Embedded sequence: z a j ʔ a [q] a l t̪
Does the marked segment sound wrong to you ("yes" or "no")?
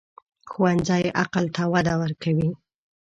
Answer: no